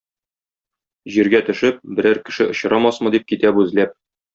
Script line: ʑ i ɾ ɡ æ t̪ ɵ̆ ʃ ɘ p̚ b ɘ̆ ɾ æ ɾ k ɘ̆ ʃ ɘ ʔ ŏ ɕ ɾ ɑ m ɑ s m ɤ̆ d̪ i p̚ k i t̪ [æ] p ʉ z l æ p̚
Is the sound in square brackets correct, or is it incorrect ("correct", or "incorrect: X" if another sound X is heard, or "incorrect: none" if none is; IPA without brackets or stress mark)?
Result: correct